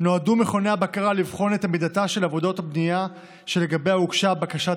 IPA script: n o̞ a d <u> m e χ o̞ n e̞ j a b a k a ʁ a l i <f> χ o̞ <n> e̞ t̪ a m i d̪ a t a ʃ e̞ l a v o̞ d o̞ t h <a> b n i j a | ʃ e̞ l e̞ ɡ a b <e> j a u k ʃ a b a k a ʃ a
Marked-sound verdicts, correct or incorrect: correct, incorrect: v, correct, correct, correct

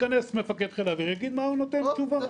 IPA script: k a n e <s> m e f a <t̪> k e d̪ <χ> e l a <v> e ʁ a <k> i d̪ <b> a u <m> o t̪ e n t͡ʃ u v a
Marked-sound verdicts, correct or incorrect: correct, incorrect: none, correct, correct, incorrect: ɡ, incorrect: m, incorrect: n

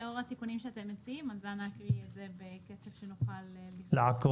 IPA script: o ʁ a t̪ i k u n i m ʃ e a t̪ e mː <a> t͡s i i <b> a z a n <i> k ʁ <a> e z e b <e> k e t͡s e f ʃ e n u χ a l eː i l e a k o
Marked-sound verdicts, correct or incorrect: incorrect: e, incorrect: m, incorrect: a, incorrect: i, correct

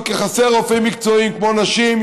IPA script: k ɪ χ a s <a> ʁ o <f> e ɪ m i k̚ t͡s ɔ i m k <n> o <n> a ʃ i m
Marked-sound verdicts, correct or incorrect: incorrect: ɛ, correct, incorrect: m, correct

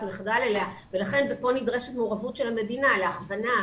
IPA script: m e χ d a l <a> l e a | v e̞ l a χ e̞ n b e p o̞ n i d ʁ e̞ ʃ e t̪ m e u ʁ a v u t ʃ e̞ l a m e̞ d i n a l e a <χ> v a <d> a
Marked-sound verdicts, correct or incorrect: incorrect: e, correct, incorrect: n

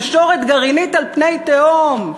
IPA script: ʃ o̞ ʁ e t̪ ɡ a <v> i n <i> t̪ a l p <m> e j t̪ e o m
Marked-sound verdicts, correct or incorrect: incorrect: ʁ, correct, incorrect: n

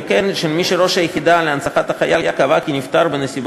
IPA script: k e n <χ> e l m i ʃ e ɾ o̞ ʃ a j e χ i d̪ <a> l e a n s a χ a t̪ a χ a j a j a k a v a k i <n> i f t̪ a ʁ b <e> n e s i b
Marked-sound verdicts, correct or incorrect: incorrect: ʃ, correct, correct, correct

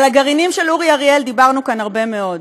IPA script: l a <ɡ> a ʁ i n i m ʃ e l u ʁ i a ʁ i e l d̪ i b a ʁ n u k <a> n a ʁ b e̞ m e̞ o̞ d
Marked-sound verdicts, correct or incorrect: correct, correct

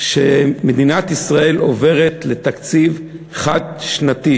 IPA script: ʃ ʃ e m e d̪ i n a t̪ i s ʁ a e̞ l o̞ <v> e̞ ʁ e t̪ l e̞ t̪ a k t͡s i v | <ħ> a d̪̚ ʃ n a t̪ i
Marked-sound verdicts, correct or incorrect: correct, incorrect: χ

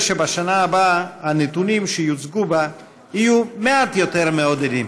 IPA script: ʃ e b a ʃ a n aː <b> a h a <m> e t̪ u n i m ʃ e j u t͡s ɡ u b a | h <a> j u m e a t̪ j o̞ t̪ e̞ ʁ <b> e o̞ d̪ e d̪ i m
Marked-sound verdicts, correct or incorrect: correct, incorrect: n, incorrect: i, incorrect: m

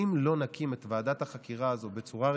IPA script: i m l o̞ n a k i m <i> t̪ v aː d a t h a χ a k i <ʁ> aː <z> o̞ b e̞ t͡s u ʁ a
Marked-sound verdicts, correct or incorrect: incorrect: e, correct, correct

